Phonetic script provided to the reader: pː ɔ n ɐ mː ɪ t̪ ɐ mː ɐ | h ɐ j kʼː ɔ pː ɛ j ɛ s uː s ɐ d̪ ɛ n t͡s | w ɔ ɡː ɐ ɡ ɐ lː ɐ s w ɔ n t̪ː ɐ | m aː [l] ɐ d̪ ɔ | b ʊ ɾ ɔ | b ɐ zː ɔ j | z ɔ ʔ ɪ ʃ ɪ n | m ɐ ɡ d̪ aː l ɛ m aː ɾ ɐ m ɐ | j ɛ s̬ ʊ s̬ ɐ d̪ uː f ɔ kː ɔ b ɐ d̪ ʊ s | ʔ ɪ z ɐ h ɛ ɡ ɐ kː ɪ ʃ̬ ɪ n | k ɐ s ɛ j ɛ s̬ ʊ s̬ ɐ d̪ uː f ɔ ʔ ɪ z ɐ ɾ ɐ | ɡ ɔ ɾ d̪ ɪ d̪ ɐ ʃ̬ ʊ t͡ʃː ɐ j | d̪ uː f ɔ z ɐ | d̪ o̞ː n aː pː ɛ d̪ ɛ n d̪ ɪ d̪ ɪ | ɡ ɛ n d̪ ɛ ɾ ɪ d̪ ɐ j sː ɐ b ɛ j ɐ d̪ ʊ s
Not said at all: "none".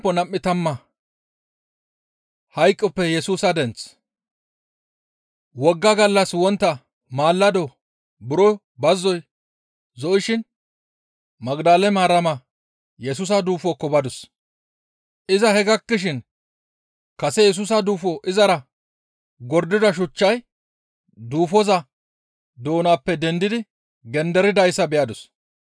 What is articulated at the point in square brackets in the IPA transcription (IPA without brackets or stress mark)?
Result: lː